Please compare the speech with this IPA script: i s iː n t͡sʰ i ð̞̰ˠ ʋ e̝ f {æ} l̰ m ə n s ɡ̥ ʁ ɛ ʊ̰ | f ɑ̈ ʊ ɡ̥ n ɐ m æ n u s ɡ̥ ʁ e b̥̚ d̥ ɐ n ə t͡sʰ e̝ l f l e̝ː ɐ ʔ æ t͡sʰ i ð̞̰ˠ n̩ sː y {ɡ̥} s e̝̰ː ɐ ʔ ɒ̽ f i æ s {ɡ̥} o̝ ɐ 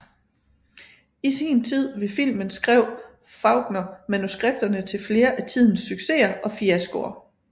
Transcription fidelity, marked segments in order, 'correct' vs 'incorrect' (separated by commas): incorrect, correct, correct